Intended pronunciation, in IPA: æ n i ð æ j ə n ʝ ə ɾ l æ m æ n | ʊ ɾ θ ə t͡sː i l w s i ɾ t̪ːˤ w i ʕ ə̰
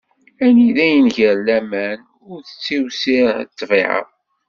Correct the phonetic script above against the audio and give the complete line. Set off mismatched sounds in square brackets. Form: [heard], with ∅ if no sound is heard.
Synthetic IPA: æ n i ð æ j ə n ʝ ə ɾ l æ m æ n | ʊ ɾ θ ə t͡sː i [∅] w s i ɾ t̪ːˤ [v] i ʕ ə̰